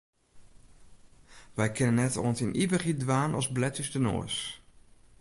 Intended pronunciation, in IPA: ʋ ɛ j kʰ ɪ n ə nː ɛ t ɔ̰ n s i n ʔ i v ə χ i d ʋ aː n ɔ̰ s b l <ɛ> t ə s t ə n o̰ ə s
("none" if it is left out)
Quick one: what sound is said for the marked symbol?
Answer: ɛ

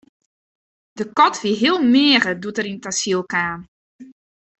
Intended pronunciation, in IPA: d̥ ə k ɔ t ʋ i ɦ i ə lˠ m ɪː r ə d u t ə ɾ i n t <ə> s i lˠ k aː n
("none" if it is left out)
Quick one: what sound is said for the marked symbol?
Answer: a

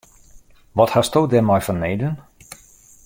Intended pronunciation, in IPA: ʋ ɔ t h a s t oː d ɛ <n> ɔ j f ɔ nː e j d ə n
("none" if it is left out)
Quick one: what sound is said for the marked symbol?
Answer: m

